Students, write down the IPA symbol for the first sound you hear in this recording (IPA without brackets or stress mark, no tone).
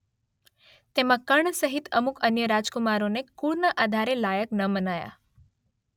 t̪